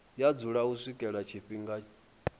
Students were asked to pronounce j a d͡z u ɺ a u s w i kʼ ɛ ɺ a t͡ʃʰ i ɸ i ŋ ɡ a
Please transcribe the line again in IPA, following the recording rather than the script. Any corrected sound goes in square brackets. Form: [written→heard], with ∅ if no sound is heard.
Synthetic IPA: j a d͡z u ɺ a u s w i kʼ ɛ ɺ a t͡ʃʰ i ɸ i ŋ ɡ a